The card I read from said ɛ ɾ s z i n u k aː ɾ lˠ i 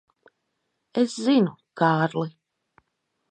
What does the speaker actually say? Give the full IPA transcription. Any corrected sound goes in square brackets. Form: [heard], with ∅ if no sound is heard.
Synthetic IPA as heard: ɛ [∅] s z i n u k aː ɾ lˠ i